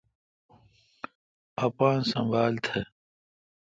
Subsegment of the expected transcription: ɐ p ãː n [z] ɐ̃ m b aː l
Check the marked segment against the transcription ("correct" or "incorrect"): incorrect